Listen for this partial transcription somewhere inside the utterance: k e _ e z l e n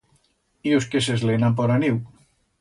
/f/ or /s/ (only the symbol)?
s